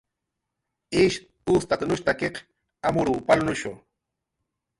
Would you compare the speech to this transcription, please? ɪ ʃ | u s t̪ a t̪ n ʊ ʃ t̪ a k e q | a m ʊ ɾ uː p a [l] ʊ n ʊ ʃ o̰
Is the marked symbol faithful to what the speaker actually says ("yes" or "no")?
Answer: yes